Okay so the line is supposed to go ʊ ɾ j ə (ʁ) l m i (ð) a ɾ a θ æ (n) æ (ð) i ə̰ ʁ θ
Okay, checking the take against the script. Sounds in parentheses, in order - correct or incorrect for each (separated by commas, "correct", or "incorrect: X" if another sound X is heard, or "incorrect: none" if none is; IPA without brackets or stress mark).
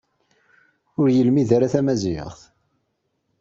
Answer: incorrect: none, correct, incorrect: m, incorrect: z